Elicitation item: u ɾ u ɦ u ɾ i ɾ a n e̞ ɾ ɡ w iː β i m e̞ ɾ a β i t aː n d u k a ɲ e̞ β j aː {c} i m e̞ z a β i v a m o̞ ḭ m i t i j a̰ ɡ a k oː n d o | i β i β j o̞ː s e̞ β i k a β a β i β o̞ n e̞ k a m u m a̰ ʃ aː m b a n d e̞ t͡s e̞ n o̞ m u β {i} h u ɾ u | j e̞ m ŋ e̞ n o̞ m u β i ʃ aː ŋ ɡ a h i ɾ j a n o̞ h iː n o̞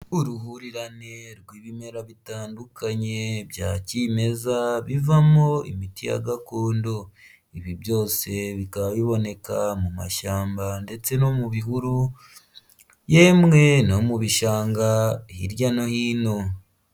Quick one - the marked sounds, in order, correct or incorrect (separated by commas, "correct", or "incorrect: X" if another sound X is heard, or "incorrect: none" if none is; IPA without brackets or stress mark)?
correct, correct